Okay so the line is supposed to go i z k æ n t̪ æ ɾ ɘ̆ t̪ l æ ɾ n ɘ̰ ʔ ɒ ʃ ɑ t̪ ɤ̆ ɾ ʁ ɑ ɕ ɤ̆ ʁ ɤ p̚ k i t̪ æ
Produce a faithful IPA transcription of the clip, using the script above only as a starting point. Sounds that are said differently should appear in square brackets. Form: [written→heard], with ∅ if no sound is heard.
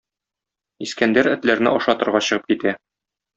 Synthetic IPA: i [z→s] k æ n [t̪→d̪] æ ɾ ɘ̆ t̪ l æ ɾ n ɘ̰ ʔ ɒ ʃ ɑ t̪ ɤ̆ ɾ ʁ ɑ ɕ ɤ̆ ʁ ɤ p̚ k i t̪ æ